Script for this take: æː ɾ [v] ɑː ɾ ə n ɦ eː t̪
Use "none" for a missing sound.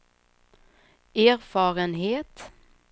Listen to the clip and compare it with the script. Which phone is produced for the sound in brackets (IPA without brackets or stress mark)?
f